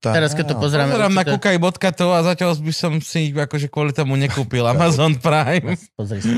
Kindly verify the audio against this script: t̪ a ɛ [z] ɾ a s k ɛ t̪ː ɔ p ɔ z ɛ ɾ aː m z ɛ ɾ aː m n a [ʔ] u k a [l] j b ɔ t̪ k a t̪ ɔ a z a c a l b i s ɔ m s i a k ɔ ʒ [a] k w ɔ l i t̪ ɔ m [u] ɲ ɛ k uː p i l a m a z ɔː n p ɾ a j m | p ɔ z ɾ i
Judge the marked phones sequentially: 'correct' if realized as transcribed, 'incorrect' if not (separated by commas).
incorrect, incorrect, incorrect, incorrect, correct